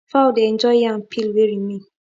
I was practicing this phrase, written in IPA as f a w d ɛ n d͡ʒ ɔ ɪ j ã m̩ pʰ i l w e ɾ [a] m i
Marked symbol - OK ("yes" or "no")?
no